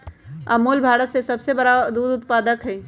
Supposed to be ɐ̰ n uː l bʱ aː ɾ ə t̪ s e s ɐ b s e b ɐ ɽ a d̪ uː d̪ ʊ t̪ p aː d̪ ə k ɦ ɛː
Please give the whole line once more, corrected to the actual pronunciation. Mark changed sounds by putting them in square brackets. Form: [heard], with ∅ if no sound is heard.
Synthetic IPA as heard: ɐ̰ [m] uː l bʱ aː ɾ ə t̪ s e s ɐ b s e b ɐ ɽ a d̪ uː d̪ ʊ t̪ p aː d̪ ə k ɦ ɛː

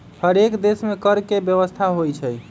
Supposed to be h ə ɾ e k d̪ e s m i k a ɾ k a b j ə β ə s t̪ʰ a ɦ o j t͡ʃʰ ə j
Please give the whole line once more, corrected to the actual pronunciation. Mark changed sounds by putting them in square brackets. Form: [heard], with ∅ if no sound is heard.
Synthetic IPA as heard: h ə ɾ e k d̪ e s m [e] k [ə] ɾ k [e] b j ə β ə s t̪ʰ a ɦ o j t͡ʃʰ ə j

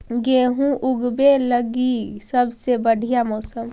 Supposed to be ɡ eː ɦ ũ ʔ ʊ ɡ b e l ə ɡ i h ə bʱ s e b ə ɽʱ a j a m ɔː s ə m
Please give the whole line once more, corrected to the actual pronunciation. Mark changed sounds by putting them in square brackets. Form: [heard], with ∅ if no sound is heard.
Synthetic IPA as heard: ɡ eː ɦ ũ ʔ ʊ ɡ b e l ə ɡ i [s] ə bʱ s e b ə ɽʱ [i] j a m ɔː s ə m

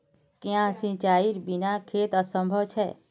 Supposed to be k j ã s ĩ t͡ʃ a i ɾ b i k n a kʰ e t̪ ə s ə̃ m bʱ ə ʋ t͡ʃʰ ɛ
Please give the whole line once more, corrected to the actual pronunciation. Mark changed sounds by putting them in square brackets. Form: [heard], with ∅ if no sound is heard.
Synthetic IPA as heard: k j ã s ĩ t͡ʃ a i ɾ b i [∅] n a kʰ e t̪ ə s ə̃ m bʱ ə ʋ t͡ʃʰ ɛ

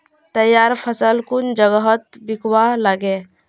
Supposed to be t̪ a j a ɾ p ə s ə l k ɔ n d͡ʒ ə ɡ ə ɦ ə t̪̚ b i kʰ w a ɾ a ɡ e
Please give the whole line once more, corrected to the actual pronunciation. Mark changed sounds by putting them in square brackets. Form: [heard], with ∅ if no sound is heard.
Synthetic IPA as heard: t̪ [ə] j a ɾ [pʰ] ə s ə l k [u] n d͡ʒ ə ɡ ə ɦ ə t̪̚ b i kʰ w a [l] a ɡ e

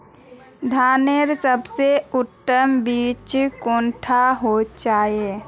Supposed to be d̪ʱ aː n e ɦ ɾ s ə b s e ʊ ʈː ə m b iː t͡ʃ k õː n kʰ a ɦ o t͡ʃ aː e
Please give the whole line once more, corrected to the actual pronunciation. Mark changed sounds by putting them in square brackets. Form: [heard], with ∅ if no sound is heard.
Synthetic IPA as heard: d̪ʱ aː n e [∅] ɾ s ə b s e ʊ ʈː ə m b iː t͡ʃ k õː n [ʈʰ] a ɦ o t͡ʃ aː e

